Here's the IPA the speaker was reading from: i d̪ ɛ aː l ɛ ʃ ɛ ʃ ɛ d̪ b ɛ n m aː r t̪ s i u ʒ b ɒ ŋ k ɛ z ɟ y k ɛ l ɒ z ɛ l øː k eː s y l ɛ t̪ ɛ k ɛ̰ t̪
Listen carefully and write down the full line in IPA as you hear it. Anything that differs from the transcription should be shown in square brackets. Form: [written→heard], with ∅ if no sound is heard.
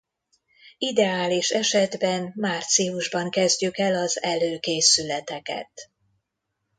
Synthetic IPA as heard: i d̪ ɛ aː l [ɛ→i] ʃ ɛ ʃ ɛ d̪ b ɛ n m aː r t̪ s i u ʒ b ɒ ŋ k ɛ z ɟ y k ɛ l ɒ z ɛ l øː k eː s y l ɛ t̪ ɛ k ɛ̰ t̪